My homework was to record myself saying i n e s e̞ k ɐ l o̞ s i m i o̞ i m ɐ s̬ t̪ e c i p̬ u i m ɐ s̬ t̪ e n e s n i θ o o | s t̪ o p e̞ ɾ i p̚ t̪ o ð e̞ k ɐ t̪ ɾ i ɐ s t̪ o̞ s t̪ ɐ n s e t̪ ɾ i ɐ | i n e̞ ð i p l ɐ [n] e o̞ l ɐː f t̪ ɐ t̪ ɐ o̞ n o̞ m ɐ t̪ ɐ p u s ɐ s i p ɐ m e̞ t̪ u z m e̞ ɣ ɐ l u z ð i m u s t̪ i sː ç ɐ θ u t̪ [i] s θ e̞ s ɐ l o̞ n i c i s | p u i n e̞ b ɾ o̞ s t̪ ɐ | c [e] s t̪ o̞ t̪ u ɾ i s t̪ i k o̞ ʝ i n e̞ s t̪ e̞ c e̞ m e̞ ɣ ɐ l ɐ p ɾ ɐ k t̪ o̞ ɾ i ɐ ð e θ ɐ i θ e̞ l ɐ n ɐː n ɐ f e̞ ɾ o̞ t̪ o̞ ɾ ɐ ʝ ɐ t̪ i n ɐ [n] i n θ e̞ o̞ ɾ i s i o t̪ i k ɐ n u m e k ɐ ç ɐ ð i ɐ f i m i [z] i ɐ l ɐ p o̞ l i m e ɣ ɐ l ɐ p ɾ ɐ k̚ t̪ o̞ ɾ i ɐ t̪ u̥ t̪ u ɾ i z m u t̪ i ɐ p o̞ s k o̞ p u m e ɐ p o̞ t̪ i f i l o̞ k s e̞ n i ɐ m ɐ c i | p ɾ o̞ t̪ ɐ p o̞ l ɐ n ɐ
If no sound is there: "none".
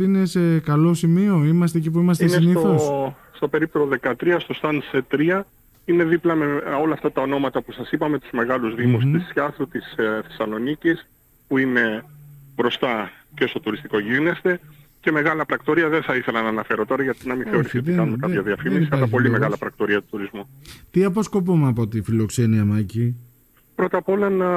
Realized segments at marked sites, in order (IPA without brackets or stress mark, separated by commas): m, i, e, m, s